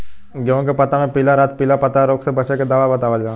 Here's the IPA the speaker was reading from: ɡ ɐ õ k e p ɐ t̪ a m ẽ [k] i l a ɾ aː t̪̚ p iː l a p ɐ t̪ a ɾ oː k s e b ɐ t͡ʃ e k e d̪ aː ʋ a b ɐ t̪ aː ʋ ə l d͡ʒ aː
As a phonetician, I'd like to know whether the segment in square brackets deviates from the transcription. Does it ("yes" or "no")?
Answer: yes